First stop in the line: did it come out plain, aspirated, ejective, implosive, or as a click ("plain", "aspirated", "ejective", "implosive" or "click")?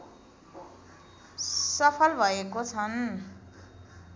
aspirated